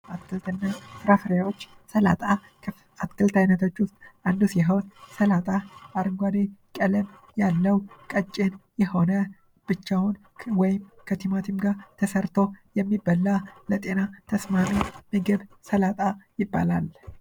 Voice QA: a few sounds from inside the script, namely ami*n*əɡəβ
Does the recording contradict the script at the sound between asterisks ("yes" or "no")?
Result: yes